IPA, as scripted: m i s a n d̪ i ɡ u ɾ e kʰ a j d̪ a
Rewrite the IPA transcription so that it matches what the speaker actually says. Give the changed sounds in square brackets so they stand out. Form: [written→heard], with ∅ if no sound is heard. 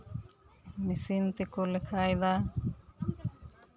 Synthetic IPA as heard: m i s [a→i] n [d̪→t̪] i [ɡ→k] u [ɾ→l] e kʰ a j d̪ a

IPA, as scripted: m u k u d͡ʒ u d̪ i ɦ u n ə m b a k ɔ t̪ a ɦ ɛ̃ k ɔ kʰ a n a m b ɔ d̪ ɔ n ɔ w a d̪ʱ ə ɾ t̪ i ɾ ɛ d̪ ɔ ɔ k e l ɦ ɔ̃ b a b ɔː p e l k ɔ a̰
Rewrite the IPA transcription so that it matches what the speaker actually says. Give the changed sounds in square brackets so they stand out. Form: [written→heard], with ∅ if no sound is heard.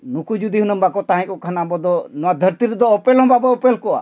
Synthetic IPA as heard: [m→n] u k u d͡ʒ u d̪ i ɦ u n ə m b a k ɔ t̪ a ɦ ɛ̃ k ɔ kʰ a n a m b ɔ d̪ ɔ n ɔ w a d̪ʱ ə ɾ t̪ i ɾ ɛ d̪ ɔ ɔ [k→p] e l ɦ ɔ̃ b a b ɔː p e l k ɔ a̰

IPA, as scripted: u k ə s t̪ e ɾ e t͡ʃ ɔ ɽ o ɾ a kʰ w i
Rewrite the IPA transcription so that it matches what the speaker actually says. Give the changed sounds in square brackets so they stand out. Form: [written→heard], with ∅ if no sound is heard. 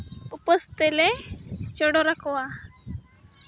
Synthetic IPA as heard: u [k→p] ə s t̪ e [ɾ→l] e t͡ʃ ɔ ɽ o ɾ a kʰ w [i→a]

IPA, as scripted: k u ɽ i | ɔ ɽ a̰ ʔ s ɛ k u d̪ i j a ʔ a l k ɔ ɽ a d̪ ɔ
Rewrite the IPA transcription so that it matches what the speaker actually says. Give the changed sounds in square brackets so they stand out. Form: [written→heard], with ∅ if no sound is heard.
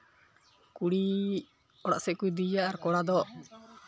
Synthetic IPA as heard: k u ɽ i | ɔ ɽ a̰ ʔ s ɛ k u d̪ i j a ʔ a [l→ɾ] k ɔ ɽ a d̪ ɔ

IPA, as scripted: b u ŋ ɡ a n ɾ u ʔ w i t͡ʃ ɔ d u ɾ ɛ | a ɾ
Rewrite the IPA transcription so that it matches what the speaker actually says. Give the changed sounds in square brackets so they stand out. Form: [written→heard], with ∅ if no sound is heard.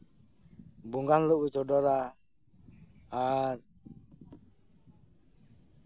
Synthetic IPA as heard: b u ŋ ɡ a n [ɾ→l] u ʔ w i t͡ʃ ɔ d [u→ɔ] ɾ [ɛ→a] | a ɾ

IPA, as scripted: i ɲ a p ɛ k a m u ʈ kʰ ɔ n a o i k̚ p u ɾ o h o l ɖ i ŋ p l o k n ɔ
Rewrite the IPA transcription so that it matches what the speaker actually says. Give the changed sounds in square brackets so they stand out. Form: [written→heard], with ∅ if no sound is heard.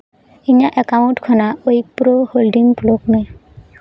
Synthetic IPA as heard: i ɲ a [p→ʔ] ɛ k a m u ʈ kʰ ɔ n a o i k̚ p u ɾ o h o l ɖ i ŋ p l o k n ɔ

